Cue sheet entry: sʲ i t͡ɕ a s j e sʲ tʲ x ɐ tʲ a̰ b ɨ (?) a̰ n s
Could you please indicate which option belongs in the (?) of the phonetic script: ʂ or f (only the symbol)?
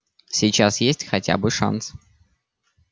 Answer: ʂ